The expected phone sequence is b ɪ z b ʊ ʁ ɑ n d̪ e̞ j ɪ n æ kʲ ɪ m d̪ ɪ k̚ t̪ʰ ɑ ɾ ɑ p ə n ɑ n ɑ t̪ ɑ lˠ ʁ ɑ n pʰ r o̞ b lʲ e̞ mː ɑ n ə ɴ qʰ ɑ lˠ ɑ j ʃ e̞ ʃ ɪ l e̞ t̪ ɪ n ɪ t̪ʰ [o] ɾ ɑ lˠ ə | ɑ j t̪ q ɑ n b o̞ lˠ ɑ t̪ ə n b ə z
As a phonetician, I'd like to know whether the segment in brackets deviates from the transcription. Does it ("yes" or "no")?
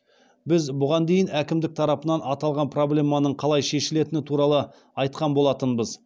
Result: yes